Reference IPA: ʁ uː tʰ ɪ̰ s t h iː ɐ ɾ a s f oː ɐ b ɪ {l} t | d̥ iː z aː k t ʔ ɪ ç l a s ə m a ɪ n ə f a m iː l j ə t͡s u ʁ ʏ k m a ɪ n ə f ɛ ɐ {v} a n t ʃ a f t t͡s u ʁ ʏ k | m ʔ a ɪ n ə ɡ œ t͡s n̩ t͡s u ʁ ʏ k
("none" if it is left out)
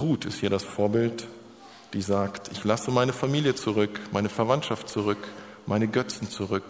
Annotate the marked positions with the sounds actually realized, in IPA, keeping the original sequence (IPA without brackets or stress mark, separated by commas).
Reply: l, v